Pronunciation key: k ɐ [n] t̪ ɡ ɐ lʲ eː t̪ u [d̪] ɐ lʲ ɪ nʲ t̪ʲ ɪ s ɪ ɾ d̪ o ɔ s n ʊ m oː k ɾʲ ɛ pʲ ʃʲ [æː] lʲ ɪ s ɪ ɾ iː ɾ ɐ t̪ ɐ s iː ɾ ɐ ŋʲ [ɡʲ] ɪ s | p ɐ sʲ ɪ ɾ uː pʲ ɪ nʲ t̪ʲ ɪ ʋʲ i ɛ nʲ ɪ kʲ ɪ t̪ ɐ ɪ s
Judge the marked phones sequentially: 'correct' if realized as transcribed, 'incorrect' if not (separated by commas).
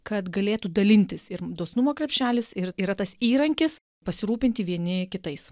incorrect, correct, correct, incorrect